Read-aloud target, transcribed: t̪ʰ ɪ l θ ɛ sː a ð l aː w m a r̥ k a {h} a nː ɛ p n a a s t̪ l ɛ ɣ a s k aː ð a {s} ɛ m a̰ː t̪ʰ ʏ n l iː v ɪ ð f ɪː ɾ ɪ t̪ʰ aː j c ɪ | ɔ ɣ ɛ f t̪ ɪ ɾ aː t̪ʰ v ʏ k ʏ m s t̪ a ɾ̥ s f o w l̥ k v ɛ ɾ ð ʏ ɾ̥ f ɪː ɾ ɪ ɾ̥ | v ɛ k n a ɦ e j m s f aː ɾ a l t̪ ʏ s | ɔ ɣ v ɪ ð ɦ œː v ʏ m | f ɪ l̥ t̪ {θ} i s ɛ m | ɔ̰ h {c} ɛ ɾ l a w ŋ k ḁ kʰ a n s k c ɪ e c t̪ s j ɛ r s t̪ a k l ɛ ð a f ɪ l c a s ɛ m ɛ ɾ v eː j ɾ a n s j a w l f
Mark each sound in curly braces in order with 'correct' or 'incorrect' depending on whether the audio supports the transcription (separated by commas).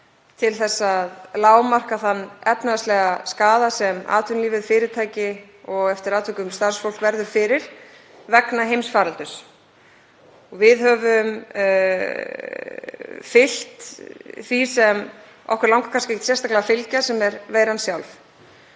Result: incorrect, correct, correct, incorrect